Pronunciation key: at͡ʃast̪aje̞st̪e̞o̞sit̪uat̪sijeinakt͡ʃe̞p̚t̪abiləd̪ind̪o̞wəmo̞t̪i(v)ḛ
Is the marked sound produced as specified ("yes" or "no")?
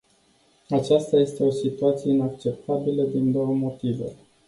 yes